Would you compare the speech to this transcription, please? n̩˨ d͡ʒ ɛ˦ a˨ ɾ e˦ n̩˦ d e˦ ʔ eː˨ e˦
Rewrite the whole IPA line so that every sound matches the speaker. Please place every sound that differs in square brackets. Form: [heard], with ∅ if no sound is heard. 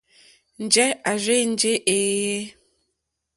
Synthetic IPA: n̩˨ d͡ʒ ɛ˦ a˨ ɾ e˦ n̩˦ [d͡ʒ] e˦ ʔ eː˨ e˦

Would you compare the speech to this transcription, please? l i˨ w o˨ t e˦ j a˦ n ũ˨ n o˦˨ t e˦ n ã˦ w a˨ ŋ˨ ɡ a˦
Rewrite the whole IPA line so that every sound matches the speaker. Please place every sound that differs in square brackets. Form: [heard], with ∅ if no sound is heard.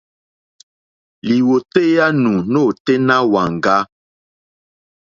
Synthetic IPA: l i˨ w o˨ t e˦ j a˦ n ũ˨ n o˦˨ t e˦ n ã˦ w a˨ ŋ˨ ɡ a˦

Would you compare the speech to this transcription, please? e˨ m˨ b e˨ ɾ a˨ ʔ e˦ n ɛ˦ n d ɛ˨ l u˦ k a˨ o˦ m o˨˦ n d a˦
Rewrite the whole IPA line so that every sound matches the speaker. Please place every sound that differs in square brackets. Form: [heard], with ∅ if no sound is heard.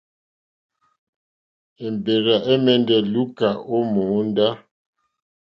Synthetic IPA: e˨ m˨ b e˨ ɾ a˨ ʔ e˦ [m] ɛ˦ n d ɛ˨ l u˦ k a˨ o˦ m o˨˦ n d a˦

